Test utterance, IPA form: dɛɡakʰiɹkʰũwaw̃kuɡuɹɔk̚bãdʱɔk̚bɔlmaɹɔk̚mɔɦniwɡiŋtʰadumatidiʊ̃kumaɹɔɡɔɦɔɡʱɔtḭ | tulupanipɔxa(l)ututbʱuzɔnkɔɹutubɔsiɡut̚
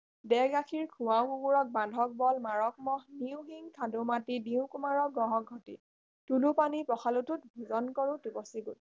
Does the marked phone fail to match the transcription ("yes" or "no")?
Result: no